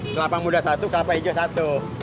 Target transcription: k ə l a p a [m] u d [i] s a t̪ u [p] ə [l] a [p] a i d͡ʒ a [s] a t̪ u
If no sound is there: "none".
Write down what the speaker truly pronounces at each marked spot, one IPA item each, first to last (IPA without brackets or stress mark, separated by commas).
m, a, k, l, p, s